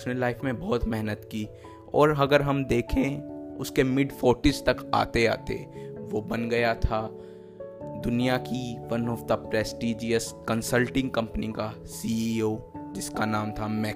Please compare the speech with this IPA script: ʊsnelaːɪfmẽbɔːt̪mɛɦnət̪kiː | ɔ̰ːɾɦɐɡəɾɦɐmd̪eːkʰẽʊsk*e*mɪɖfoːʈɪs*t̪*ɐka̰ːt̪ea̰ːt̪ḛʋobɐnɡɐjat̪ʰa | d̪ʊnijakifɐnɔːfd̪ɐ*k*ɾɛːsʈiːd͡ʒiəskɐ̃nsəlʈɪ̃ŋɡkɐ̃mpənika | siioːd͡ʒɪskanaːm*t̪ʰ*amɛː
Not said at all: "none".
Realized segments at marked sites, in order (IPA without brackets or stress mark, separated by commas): e, t̪, p, t̪ʰ